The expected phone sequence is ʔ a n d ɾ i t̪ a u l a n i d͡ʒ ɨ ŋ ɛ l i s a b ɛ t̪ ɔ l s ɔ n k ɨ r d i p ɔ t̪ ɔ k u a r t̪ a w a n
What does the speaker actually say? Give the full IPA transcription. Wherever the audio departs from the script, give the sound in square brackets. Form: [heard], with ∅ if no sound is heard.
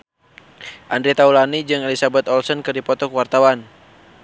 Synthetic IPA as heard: ʔ a n d ɾ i t̪ a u l a n i d͡ʒ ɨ ŋ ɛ l i s a b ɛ t̪ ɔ l s ɔ n k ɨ r d i p ɔ t̪ ɔ k [w] a r t̪ a w a n